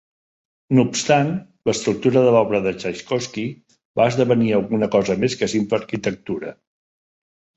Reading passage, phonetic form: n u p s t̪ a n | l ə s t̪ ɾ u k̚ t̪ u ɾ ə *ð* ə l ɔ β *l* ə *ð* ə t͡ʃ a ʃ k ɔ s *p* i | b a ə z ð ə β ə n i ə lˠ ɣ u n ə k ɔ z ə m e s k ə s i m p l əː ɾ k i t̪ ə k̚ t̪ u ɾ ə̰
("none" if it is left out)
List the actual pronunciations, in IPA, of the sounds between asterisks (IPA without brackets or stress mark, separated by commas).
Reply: ð, ɾ, ð, k